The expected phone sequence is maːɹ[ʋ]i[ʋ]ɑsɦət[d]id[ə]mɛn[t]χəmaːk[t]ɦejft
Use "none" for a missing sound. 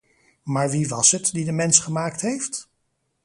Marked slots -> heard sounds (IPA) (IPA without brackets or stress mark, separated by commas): ʋ, ʋ, d, ə, s, t